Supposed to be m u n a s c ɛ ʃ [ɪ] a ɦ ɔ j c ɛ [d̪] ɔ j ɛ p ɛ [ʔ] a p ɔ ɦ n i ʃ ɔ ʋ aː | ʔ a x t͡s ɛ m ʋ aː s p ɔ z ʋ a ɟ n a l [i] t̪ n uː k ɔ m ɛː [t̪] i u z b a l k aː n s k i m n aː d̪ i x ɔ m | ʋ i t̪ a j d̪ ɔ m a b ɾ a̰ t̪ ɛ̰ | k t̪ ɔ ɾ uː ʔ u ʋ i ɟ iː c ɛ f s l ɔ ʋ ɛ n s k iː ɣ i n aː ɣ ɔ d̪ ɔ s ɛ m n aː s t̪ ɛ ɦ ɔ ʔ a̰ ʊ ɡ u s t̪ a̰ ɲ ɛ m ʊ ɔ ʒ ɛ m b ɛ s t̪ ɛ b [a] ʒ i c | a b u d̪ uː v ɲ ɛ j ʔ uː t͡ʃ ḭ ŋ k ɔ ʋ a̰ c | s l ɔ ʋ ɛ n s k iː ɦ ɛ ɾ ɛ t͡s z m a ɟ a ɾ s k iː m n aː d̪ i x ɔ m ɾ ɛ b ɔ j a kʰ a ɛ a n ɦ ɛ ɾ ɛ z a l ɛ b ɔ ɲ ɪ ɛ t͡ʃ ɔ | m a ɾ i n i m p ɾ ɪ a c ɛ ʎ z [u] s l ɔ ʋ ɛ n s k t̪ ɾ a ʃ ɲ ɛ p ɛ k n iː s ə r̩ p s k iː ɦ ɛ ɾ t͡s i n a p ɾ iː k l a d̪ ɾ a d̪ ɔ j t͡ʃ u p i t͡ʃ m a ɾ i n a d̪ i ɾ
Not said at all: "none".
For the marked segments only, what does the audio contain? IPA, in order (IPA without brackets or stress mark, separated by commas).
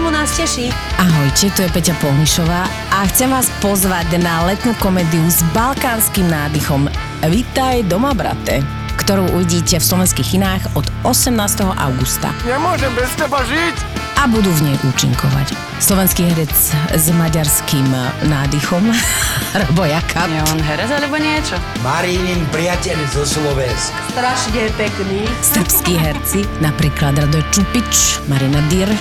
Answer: i, t̪, c, ɛ, d̪, a, ɔ